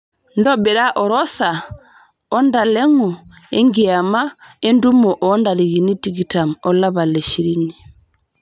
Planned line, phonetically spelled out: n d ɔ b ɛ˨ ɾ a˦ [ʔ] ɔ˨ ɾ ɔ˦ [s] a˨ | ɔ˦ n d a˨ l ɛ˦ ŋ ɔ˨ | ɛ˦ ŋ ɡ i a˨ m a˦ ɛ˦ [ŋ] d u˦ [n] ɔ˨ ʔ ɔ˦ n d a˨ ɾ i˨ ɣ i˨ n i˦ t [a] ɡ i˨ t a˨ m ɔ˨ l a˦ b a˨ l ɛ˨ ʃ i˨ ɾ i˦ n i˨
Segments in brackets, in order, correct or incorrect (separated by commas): correct, correct, incorrect, incorrect, incorrect